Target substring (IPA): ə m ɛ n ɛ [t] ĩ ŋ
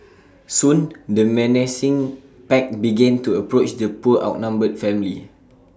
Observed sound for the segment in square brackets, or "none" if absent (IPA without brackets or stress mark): s